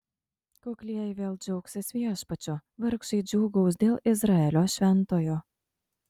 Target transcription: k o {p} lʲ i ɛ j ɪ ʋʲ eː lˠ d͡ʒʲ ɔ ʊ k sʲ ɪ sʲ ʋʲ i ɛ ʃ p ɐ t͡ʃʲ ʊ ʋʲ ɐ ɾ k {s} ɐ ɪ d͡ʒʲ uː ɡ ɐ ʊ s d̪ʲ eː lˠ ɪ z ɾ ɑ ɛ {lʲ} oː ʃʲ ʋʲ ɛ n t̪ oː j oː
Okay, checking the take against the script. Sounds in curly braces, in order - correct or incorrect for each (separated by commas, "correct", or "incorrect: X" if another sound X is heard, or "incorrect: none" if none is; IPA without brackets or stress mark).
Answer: incorrect: k, incorrect: ʃ, correct